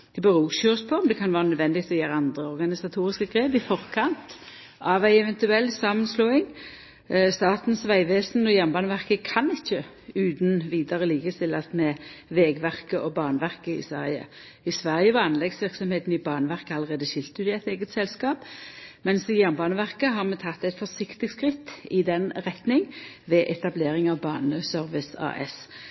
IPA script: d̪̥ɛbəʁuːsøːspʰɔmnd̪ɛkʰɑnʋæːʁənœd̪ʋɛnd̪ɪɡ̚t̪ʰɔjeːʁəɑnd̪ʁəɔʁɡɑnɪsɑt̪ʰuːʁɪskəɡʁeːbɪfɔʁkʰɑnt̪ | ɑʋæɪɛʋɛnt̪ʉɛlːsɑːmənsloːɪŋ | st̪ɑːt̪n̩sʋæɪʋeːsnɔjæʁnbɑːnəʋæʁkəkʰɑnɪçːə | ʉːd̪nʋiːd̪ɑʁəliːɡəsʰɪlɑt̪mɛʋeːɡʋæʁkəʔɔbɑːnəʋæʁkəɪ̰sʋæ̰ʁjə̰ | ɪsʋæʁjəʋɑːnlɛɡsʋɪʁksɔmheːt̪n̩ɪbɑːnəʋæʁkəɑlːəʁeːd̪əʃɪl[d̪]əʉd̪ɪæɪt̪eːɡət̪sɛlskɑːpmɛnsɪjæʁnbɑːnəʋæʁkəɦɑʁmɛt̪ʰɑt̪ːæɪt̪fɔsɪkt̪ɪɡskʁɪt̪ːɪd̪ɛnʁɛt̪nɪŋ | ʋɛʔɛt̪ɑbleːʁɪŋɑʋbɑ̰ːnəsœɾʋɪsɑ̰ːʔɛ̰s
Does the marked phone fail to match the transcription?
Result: yes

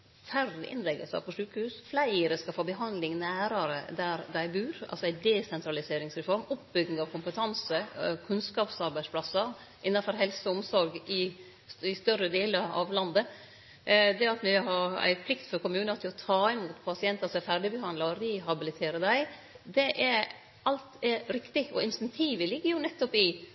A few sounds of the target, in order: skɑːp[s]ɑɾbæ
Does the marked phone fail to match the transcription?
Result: no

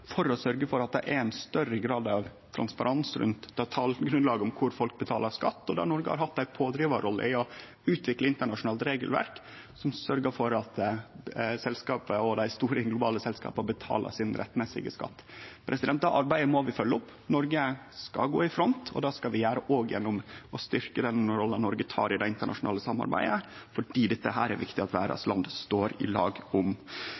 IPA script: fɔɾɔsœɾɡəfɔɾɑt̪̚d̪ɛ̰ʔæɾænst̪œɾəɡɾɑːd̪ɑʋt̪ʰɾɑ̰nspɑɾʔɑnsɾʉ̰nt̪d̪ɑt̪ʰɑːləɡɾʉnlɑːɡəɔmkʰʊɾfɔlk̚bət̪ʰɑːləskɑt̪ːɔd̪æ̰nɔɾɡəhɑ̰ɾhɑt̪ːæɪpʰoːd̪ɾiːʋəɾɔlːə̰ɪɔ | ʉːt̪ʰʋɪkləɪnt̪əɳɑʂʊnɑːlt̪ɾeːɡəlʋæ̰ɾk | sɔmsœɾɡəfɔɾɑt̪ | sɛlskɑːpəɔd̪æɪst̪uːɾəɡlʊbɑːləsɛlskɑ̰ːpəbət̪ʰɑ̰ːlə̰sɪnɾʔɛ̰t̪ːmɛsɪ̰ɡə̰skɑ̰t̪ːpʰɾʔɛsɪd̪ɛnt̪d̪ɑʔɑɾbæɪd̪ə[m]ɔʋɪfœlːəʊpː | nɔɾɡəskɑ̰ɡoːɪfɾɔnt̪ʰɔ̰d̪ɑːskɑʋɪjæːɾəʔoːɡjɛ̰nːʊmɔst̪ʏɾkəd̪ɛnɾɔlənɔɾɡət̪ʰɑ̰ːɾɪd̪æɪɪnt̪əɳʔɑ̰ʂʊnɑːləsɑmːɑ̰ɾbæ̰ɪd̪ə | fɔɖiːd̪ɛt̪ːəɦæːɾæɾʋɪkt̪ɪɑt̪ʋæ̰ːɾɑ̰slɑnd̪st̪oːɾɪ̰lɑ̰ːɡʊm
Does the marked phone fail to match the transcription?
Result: no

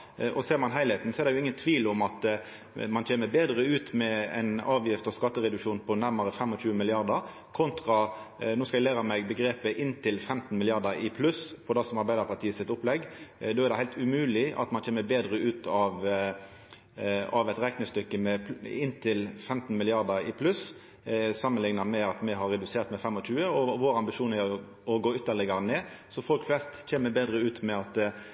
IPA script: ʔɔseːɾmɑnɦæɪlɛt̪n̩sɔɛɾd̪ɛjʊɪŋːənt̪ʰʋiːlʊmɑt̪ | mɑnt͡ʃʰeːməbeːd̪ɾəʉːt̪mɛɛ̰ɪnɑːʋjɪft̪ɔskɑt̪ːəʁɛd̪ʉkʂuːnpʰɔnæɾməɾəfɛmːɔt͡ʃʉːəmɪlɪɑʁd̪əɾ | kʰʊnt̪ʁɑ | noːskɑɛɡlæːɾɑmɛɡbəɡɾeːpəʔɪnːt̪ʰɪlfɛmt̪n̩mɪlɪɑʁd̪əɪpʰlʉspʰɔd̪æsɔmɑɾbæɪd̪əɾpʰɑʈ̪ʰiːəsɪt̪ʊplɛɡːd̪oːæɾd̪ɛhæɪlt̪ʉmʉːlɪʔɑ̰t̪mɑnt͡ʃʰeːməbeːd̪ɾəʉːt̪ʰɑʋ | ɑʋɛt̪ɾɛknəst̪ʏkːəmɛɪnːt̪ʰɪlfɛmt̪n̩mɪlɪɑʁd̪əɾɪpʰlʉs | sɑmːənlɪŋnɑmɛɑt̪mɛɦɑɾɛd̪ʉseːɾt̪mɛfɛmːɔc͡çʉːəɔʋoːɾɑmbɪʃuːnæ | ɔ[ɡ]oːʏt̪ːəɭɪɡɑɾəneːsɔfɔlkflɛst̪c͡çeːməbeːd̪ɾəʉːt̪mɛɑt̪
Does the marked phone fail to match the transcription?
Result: no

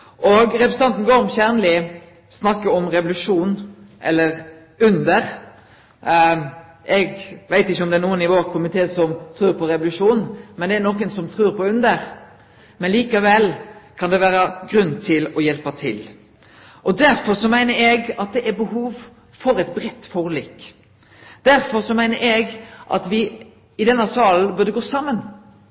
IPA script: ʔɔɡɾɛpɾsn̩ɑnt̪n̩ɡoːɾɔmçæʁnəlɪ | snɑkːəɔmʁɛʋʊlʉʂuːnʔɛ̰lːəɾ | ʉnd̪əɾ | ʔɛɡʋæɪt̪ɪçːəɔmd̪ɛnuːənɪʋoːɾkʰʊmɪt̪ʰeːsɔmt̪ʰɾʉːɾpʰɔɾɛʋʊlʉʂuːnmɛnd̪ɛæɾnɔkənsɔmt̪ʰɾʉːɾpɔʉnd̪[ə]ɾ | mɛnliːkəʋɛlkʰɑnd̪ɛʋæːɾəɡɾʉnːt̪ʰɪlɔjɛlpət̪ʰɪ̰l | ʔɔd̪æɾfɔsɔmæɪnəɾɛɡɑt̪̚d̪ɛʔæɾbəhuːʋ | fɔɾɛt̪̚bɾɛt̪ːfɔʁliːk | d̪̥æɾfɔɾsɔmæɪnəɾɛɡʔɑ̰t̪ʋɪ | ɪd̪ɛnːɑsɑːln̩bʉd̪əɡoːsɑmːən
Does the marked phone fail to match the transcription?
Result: no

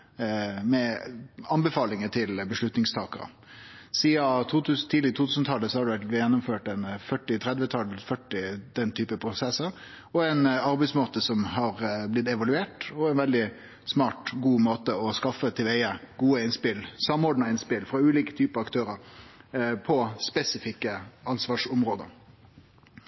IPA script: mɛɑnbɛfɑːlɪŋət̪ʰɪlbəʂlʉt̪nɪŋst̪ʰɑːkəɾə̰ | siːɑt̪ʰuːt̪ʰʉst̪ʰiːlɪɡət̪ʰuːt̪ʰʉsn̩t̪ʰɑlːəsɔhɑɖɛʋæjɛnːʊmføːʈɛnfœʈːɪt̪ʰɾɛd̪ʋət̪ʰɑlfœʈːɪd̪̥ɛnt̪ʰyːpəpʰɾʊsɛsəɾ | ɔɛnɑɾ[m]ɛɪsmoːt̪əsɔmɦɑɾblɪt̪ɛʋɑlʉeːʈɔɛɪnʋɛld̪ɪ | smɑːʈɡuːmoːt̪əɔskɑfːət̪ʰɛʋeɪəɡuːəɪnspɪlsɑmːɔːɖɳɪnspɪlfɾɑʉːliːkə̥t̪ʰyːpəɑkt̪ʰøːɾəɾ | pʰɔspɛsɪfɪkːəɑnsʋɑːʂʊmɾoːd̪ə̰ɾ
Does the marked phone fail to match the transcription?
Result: yes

